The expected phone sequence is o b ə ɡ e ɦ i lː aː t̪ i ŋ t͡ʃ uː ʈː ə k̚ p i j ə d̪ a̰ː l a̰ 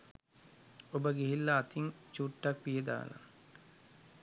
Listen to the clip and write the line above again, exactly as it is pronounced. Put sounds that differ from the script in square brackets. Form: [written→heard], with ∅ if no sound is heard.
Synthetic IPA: o b ə ɡ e ɦ i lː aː t̪ i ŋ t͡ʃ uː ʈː [ə→a] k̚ p i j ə d̪ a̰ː l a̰